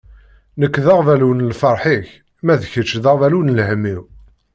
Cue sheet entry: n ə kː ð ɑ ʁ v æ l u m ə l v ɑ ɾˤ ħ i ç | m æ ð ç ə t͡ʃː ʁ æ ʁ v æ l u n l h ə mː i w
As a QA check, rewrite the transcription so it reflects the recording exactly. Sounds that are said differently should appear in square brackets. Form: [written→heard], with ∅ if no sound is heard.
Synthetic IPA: n ə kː ð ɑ ʁ v æ l u [m→n] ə l [v→f] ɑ ɾˤ ħ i ç | m æ ð ç ə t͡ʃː [ʁ→ð] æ ʁ v æ l u n l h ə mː i w